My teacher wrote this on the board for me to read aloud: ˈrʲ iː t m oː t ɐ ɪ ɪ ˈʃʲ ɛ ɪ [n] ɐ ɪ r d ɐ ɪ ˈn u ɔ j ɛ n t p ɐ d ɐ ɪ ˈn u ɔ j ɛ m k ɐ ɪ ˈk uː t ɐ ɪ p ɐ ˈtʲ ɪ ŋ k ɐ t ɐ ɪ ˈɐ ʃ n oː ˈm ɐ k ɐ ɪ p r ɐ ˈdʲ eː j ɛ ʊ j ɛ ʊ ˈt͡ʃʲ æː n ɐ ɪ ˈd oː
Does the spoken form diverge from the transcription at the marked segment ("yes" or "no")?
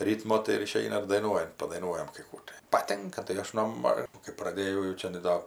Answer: no